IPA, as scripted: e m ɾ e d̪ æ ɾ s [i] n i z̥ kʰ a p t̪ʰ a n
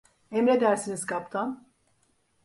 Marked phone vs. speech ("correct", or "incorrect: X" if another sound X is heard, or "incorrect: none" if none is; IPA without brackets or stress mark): correct